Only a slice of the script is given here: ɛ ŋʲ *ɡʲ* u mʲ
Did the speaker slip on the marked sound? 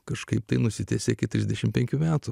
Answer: yes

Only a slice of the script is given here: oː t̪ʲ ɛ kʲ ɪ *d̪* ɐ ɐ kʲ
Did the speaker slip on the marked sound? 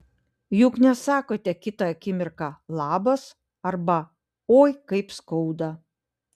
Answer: yes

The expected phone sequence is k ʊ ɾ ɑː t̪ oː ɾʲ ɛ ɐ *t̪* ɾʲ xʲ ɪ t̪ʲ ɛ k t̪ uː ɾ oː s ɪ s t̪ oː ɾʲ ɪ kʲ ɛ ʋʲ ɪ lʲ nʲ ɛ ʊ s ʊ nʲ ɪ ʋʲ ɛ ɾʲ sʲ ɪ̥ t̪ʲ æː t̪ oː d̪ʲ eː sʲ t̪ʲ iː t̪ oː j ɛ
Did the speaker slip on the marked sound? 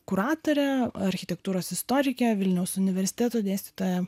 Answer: yes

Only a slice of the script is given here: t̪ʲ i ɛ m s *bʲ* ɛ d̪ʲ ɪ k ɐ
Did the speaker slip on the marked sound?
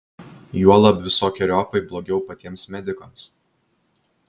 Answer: yes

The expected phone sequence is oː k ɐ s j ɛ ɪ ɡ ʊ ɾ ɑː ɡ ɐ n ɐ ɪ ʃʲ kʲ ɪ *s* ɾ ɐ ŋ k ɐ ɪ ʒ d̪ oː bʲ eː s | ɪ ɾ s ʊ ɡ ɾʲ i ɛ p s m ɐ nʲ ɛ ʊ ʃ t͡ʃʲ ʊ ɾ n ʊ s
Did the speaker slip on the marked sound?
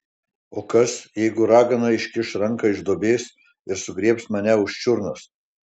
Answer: yes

